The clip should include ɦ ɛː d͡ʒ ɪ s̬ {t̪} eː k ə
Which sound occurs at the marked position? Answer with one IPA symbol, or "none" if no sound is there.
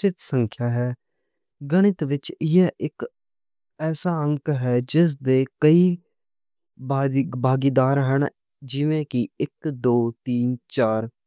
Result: d̪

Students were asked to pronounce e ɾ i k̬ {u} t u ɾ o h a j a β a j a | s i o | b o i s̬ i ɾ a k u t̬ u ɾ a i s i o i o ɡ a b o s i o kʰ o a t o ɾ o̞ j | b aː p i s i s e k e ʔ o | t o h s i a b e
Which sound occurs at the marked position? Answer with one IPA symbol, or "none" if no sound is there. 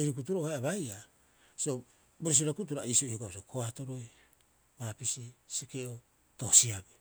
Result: u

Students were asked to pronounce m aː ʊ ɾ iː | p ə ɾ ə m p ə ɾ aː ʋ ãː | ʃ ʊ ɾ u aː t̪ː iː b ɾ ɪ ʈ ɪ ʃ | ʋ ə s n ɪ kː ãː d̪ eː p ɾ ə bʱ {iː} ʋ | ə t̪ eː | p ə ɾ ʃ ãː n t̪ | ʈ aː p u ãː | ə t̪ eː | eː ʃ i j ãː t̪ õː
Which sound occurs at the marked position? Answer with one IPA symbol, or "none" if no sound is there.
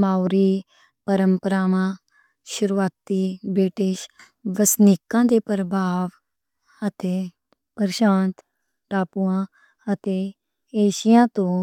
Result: aː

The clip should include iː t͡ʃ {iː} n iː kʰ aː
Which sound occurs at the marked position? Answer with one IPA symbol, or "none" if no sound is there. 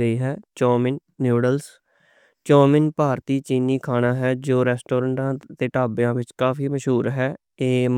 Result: iː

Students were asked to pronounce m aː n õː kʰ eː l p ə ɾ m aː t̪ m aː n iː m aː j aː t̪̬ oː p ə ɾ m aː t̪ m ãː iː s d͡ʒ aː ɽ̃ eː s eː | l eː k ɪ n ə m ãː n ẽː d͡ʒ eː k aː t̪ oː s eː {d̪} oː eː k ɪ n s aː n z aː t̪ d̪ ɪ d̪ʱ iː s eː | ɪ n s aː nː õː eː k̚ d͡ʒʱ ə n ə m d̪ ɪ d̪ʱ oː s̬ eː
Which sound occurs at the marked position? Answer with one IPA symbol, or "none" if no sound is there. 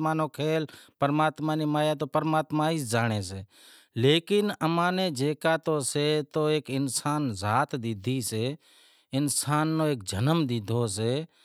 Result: t̪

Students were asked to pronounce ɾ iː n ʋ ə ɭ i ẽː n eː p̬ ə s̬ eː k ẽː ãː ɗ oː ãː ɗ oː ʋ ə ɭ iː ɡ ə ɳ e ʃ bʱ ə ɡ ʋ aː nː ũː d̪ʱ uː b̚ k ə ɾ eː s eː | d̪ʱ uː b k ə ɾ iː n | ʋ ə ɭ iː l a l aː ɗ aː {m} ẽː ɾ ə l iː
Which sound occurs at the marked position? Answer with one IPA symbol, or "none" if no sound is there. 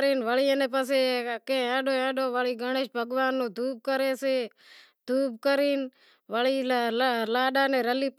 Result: n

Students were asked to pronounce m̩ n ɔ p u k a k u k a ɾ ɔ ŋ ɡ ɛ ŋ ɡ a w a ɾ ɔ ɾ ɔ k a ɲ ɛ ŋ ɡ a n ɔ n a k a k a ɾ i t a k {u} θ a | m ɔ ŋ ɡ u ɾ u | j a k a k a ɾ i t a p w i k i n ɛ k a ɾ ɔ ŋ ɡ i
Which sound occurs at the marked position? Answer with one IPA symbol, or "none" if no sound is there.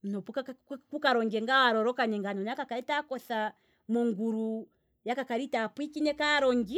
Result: ɔ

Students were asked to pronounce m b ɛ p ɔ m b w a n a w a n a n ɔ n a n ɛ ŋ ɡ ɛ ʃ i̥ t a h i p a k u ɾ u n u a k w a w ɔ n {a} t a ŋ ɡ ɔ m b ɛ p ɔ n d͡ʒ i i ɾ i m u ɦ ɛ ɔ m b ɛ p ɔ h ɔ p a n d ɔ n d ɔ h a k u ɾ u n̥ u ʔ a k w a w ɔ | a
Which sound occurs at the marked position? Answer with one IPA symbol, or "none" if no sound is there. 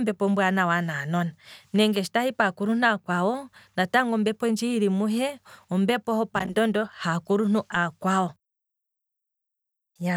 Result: a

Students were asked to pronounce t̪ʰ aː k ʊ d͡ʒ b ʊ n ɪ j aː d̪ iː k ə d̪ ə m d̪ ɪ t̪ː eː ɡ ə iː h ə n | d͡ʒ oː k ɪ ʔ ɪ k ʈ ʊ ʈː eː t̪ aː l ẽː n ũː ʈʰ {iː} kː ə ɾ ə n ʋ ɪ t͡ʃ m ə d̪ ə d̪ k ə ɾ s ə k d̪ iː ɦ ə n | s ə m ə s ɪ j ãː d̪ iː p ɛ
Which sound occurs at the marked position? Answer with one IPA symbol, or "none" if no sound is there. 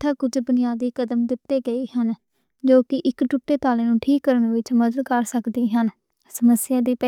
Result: iː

